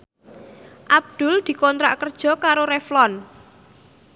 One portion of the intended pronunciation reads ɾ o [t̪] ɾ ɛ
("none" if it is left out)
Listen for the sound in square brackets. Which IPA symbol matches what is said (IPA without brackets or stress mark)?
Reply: none